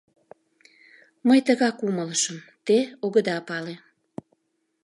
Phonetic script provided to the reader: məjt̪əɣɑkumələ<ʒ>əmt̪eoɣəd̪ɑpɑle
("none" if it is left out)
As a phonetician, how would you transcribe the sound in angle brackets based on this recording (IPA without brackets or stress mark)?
ʃ